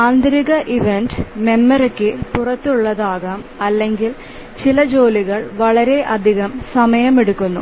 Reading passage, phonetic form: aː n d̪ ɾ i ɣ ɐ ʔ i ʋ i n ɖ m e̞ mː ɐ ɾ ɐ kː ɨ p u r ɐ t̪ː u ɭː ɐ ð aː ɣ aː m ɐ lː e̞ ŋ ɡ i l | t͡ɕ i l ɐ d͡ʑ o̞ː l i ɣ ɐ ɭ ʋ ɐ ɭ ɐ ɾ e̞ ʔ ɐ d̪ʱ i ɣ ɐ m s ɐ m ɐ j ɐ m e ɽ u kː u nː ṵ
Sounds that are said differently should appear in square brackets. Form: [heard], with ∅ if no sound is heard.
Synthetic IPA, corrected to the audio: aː n d̪ ɾ i ɣ ɐ ʔ i ʋ [e] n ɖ m e̞ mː ɐ ɾ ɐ kː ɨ p u r ɐ t̪ː u ɭː ɐ ð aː ɣ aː m ɐ lː e̞ ŋ ɡ i l | t͡ɕ i l ɐ d͡ʑ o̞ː l i ɣ ɐ ɭ ʋ ɐ ɭ ɐ ɾ e̞ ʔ ɐ d̪ʱ i ɣ ɐ m s ɐ m ɐ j ɐ m e ɽ u kː u nː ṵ